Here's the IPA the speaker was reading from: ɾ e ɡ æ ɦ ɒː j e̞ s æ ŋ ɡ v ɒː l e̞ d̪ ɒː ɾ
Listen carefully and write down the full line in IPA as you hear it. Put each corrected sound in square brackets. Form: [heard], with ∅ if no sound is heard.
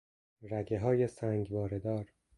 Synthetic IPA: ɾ [æ] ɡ [e] ɦ ɒː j e̞ s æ ŋ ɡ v ɒː [ɾ] e̞ d̪ ɒː ɾ